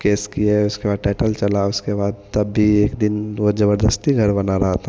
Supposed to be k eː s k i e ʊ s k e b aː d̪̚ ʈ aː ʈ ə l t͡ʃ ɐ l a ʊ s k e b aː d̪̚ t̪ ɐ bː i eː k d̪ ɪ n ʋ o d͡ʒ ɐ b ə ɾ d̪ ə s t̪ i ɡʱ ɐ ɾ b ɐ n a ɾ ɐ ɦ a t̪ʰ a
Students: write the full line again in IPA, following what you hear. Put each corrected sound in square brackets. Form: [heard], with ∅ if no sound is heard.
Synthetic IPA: k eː s k i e ʊ s k e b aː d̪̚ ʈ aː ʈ ə l t͡ʃ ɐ l a ʊ s k e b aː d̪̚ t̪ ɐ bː i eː k d̪ ɪ n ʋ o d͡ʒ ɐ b ə ɾ d̪ ə s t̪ i ɡʱ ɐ ɾ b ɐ n a ɾ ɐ ɦ a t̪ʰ a